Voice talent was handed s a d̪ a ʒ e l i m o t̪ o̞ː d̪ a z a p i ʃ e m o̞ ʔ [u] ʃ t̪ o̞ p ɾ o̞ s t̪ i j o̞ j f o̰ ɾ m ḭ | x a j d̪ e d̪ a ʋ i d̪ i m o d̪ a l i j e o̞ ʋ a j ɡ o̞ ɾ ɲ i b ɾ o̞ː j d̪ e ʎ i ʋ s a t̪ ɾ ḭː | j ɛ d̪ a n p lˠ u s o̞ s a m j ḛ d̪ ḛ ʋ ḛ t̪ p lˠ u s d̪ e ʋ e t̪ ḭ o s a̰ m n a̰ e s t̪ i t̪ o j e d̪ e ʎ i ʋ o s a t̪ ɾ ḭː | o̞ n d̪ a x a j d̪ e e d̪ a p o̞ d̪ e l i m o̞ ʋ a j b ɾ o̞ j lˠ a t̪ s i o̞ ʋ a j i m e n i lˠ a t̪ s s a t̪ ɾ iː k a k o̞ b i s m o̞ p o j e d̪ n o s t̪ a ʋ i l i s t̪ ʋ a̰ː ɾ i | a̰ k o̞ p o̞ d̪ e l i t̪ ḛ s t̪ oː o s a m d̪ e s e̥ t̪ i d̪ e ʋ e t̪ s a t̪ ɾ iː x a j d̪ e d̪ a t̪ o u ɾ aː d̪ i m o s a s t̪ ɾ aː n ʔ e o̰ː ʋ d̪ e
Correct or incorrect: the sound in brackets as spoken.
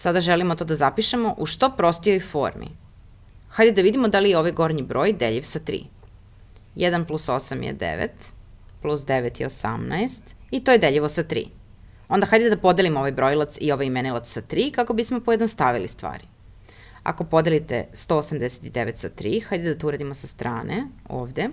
correct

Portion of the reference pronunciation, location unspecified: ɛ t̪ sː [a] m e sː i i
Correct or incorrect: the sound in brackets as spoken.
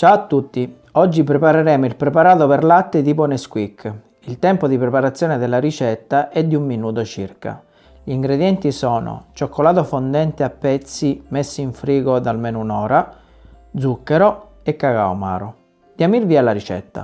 incorrect: i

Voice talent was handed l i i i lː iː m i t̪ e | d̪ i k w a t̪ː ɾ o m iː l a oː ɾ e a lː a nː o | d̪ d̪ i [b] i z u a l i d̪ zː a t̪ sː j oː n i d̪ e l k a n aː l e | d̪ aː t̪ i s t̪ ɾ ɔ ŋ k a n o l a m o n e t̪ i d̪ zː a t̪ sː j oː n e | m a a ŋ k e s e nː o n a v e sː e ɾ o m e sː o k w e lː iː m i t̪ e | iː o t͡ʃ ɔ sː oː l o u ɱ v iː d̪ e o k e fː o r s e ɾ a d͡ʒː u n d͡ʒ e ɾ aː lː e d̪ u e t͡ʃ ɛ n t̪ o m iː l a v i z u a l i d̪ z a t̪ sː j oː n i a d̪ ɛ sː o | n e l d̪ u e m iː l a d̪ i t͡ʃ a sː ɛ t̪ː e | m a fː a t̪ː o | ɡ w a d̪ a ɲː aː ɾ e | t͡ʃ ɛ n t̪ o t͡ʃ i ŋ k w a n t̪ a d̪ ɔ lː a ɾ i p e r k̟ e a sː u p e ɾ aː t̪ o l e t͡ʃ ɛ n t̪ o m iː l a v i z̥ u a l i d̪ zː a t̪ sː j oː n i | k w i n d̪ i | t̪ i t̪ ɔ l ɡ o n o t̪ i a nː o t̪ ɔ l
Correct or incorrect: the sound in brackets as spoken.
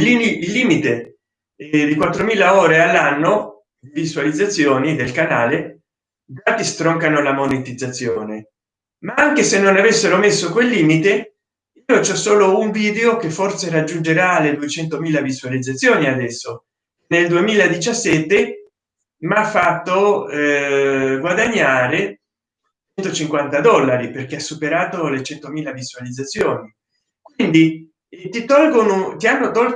incorrect: v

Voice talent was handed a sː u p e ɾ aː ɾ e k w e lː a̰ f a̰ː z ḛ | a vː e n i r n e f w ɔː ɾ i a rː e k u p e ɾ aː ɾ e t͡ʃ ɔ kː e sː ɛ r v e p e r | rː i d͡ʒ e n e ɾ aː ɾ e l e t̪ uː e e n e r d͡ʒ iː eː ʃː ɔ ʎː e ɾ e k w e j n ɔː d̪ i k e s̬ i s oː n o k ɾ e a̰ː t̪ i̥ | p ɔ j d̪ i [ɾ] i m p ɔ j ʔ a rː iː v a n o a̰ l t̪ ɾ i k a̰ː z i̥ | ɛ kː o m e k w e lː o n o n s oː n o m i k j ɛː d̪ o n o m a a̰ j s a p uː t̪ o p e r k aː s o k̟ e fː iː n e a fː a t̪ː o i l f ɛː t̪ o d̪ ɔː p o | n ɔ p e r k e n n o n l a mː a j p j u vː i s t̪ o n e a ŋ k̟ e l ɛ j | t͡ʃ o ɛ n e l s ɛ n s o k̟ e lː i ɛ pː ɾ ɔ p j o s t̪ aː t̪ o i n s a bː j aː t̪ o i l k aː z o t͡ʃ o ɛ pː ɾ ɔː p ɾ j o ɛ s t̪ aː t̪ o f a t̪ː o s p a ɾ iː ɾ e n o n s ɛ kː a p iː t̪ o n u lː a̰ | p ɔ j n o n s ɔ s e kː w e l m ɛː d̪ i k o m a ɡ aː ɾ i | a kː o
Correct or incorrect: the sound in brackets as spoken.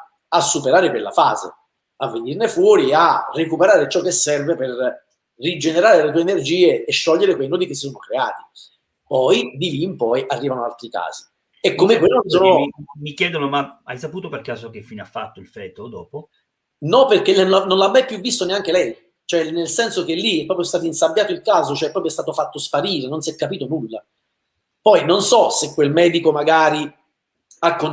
incorrect: l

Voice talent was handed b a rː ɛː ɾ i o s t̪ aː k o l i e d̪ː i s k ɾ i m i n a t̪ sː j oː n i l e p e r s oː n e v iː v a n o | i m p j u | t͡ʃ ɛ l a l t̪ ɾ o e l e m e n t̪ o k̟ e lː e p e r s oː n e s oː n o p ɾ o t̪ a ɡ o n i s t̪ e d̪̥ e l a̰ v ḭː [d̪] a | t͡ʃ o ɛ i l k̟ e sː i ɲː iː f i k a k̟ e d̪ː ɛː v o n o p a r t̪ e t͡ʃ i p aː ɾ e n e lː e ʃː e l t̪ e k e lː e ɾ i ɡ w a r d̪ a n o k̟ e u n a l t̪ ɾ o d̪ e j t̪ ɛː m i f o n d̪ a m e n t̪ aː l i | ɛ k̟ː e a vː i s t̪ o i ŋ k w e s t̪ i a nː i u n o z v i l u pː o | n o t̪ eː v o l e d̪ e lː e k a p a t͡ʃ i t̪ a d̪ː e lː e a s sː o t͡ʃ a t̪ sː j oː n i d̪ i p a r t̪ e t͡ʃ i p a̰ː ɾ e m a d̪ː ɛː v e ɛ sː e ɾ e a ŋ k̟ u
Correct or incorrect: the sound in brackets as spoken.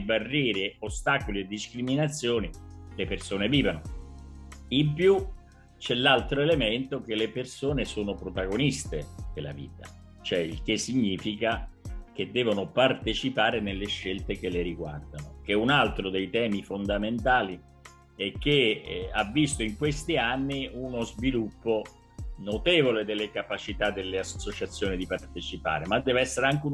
incorrect: t̪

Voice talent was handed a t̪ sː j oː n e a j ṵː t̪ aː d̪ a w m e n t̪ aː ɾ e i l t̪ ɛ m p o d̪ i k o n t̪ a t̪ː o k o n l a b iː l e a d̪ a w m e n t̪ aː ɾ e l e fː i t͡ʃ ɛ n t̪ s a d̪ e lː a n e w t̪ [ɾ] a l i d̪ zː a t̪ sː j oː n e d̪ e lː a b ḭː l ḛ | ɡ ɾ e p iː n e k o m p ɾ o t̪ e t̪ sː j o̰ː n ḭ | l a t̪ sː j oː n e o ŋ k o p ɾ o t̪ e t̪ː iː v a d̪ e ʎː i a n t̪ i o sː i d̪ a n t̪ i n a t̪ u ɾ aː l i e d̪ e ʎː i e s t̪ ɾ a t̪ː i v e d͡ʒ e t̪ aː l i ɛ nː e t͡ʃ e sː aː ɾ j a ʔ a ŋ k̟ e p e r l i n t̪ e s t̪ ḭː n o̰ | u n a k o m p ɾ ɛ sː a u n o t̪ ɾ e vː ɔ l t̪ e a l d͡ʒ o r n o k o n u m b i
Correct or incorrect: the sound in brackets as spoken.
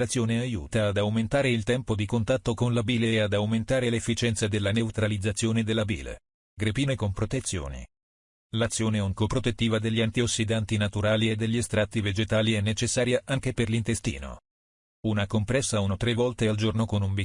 correct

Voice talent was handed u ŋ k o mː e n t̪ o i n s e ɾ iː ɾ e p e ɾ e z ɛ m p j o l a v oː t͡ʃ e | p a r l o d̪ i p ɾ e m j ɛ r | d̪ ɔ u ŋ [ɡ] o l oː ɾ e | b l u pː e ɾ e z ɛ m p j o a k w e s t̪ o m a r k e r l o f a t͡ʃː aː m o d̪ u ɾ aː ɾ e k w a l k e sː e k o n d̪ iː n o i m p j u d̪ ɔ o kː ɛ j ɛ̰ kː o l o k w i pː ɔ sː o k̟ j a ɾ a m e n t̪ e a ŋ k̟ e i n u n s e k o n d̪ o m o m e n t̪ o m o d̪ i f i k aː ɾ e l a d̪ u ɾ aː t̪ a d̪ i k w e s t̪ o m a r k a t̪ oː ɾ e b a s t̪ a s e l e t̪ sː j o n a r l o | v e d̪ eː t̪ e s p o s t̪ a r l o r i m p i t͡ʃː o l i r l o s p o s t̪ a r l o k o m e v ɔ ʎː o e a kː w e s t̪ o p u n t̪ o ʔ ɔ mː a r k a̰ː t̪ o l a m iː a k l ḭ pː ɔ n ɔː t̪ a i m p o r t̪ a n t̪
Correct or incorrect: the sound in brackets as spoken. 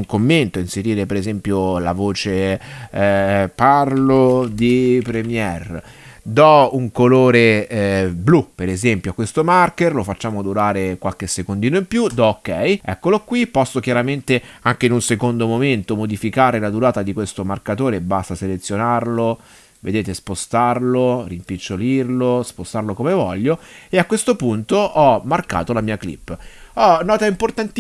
incorrect: k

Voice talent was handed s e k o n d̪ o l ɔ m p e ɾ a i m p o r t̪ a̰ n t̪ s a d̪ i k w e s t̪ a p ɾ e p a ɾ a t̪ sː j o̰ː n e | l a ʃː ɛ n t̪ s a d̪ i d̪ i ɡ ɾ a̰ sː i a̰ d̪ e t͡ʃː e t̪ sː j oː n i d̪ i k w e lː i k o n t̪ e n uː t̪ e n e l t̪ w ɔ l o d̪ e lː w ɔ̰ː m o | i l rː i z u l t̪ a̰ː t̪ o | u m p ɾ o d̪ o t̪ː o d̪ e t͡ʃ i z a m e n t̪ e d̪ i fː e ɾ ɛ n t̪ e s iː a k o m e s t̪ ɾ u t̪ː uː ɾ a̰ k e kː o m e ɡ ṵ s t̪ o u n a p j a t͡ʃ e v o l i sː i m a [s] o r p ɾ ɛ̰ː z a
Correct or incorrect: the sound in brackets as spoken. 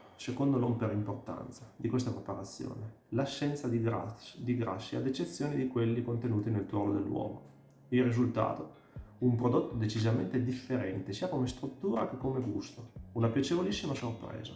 correct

